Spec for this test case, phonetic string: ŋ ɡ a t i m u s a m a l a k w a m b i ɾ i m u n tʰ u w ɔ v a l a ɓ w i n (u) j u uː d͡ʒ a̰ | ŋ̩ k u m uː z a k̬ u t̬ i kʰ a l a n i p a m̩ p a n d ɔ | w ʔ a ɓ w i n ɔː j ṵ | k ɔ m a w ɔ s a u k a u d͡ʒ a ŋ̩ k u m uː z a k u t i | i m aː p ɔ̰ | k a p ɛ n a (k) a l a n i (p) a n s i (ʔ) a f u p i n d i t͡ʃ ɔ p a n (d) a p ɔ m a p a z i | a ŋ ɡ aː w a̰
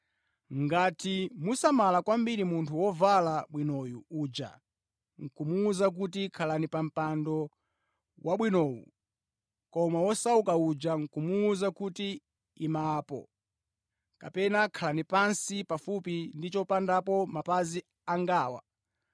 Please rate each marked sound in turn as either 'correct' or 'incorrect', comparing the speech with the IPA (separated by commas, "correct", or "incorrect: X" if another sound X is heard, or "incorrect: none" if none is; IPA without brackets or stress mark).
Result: incorrect: ɔ, incorrect: kʰ, correct, incorrect: p, correct